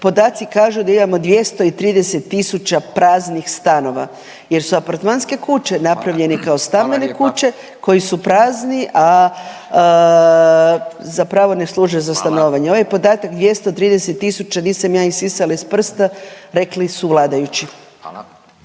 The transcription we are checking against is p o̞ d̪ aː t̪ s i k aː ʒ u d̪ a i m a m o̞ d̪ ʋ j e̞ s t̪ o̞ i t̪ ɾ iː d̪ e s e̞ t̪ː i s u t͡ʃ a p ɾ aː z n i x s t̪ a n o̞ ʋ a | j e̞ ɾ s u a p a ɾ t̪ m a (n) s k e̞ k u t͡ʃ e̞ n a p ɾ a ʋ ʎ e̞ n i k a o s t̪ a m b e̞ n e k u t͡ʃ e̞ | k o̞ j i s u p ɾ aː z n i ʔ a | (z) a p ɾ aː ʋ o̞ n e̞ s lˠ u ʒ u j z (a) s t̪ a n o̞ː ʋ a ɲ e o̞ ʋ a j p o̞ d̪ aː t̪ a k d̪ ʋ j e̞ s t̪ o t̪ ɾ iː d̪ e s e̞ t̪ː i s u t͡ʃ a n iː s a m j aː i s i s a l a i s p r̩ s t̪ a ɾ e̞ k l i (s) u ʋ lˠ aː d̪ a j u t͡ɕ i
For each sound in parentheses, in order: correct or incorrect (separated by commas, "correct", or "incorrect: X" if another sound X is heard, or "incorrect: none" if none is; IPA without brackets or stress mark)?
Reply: correct, correct, correct, correct